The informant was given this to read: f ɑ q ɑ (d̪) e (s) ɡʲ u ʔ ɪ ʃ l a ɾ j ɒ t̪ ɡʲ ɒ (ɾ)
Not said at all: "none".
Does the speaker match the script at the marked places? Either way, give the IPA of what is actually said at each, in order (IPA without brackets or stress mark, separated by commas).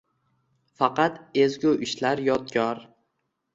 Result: t̪, z, ɾ